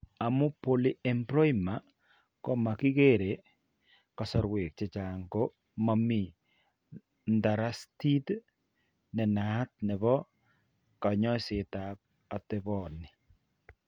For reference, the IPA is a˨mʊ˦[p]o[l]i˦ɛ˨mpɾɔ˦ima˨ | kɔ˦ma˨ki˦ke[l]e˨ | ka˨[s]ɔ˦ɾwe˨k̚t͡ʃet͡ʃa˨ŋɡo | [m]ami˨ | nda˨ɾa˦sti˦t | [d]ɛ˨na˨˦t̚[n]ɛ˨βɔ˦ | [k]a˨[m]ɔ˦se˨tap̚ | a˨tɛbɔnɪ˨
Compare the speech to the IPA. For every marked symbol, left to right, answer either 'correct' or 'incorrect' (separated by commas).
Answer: correct, correct, incorrect, correct, correct, incorrect, correct, correct, incorrect